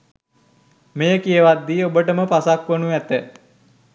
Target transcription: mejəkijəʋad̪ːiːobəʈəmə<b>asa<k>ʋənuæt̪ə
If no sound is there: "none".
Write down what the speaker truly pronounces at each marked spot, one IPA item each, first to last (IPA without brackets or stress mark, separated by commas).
p, k